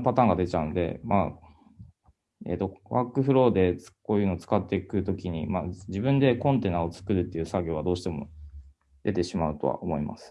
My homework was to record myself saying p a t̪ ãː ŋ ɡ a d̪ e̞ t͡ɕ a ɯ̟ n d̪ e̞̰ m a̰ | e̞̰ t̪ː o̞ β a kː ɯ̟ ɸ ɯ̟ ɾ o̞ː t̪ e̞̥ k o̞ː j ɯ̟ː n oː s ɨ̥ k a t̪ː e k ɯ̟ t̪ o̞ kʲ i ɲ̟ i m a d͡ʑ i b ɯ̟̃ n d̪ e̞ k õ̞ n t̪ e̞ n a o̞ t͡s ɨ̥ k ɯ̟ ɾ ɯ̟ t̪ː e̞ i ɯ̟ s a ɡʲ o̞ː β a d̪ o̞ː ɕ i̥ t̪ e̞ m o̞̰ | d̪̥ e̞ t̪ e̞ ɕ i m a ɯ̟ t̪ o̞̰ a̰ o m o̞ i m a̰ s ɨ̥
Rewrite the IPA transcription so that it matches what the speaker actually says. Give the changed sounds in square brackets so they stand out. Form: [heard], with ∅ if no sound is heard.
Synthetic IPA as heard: p a t̪ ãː ŋ ɡ a d̪ e̞ t͡ɕ a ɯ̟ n d̪ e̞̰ m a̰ | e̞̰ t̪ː o̞ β a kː ɯ̟ ɸ ɯ̟ ɾ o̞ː [d̪] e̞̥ k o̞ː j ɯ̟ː n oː [t͡s] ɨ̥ k a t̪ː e k ɯ̟ t̪ o̞ kʲ i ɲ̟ i m a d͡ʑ i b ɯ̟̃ n d̪ e̞ k õ̞ n t̪ e̞ n a o̞ t͡s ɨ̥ k ɯ̟ ɾ ɯ̟ t̪ː e̞ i ɯ̟ s a ɡʲ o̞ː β a d̪ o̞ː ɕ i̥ t̪ e̞ m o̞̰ | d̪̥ e̞ t̪ e̞ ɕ i m a ɯ̟ t̪ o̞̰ a̰ o m o̞ i m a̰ s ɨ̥